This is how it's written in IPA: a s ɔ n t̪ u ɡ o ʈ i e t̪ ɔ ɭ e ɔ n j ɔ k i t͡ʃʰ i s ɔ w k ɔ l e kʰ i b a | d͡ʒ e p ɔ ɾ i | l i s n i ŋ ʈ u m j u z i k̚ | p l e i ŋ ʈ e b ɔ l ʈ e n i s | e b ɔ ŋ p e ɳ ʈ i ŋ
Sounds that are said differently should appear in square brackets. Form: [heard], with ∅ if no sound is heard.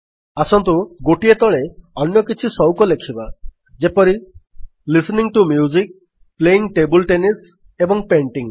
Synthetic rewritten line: a s ɔ n t̪ u ɡ o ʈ i e t̪ ɔ ɭ e ɔ n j ɔ k i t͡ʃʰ i s ɔ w k ɔ l e kʰ i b a | d͡ʒ e p ɔ ɾ i | l i s n i ŋ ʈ u m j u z i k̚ | p l e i ŋ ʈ e b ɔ l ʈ e n i s | e b ɔ ŋ p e ɳ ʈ i ŋ

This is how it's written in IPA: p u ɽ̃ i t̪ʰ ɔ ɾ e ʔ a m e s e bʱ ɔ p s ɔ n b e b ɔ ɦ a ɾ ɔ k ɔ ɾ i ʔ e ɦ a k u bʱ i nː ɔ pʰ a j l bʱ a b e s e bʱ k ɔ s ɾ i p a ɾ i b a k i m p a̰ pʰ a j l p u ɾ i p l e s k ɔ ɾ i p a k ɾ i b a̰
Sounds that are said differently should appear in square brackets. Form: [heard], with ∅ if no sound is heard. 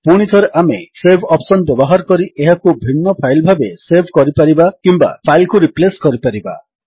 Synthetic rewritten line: p u ɽ̃ i t̪ʰ ɔ ɾ e ʔ a m e s e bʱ ɔ p s ɔ n b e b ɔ ɦ a ɾ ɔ k ɔ ɾ i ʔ e ɦ a k u bʱ i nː ɔ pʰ a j l bʱ a b e s e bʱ k ɔ [∅] ɾ i p a ɾ i b a k i m [b] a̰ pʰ a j l [k] u ɾ i p l e s k ɔ ɾ i p a [∅] ɾ i b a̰

